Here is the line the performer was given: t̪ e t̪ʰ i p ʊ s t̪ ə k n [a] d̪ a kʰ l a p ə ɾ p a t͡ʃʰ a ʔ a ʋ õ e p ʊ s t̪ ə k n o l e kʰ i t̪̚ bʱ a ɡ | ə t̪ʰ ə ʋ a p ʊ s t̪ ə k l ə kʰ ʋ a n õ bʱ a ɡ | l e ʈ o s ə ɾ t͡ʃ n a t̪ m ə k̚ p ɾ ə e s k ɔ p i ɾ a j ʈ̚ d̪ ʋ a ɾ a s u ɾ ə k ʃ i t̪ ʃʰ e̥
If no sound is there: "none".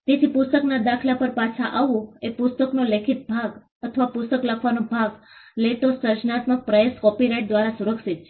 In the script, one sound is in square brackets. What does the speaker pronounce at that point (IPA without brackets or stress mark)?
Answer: a